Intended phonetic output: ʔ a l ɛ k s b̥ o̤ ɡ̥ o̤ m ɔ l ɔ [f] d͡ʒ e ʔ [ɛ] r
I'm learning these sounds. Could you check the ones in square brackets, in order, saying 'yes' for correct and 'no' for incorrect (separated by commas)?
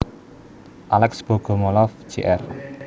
yes, yes